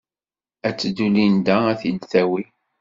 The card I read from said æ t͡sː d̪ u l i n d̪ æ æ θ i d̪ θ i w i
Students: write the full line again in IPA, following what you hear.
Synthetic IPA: æ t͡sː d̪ u l i n d̪ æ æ θ i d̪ θ æ w i